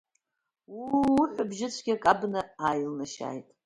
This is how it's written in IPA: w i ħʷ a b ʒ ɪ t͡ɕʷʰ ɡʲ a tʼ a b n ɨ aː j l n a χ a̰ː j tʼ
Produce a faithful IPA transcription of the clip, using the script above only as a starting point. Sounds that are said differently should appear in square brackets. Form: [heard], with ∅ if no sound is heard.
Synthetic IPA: w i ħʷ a b ʒ ɪ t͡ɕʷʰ ɡʲ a [kʼ] a b n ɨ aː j l n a [ʃ] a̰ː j tʼ